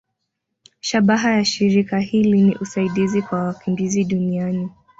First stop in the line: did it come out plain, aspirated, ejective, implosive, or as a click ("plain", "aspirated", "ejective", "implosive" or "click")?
implosive